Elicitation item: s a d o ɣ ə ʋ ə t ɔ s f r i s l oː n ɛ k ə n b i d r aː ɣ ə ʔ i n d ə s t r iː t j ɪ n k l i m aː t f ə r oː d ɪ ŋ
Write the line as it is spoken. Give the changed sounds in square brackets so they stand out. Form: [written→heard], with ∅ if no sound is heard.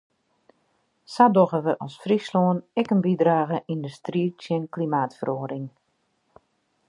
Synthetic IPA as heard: s a d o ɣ ə ʋ ə [t→ʔ] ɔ s f r i s l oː n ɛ k ə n b i d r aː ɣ ə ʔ i n d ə s t r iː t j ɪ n k l i m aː t f ə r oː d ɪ ŋ